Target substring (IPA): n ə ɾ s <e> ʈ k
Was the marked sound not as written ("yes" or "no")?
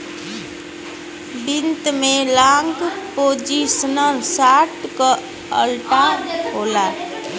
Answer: yes